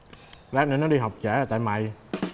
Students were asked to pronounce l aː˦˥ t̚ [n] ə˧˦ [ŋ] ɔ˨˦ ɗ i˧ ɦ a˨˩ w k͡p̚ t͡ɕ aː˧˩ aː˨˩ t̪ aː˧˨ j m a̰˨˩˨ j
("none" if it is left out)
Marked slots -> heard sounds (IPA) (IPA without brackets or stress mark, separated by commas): n, n